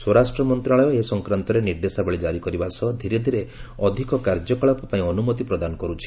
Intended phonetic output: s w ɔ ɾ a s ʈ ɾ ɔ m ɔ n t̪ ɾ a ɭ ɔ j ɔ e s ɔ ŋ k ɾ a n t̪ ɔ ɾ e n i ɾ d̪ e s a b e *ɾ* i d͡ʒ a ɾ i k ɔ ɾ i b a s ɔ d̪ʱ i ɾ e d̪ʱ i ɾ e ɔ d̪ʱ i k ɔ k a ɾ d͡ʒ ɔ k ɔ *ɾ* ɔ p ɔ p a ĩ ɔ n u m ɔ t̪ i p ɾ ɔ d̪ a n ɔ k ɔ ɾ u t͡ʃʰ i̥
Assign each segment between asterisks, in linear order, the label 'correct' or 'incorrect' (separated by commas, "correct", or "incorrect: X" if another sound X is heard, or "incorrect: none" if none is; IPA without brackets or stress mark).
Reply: incorrect: ɭ, incorrect: ɭ